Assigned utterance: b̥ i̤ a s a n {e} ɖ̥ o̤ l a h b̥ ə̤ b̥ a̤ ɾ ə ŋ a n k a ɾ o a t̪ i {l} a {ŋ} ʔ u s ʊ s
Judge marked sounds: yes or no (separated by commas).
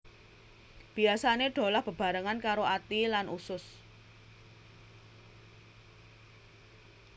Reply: yes, yes, no